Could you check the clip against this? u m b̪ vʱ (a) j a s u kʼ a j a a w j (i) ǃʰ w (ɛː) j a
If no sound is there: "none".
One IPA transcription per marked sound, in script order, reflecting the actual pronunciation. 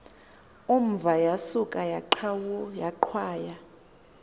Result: a, a, aː

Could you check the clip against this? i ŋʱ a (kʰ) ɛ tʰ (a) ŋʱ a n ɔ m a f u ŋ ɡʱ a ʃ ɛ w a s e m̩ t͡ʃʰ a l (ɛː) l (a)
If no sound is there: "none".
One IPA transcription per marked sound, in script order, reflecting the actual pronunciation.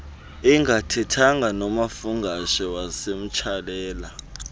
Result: tʰ, a, ɛː, a

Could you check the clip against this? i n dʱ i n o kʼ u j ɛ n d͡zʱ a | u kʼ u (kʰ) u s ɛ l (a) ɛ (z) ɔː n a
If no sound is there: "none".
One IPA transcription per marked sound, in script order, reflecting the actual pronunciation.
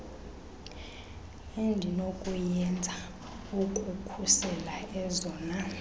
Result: kʰ, a, z

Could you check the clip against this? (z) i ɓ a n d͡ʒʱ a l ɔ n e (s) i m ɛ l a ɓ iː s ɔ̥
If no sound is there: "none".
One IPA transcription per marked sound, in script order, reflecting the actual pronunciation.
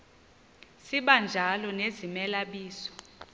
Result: s, z

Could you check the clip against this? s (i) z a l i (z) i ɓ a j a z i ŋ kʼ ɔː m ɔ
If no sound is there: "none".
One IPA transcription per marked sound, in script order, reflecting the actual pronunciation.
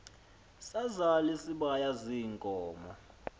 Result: a, s

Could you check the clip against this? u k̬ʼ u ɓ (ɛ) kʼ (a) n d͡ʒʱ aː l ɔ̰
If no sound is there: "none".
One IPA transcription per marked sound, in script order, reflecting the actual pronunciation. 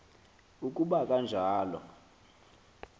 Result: a, a

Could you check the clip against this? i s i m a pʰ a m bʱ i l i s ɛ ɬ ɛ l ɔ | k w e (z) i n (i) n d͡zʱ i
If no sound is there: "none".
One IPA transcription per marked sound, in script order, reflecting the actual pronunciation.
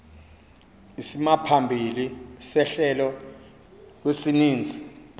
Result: s, iː

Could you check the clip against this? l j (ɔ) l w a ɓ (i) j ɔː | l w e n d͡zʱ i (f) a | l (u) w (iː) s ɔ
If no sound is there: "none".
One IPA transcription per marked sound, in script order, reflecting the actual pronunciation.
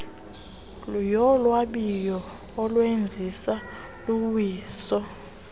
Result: ɔ, i, s, u, iː

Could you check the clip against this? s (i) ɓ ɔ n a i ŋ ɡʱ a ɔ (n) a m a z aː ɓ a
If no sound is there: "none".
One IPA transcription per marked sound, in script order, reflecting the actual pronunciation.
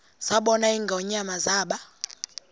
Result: a, ɲ

